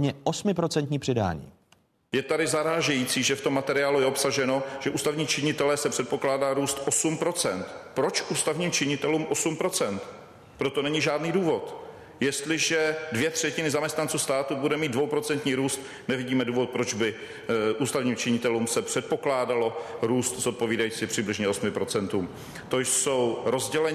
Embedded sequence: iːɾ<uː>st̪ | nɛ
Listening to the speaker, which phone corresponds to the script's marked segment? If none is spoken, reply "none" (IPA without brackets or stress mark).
uː